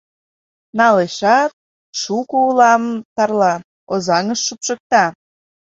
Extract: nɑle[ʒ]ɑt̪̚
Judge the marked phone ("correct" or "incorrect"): incorrect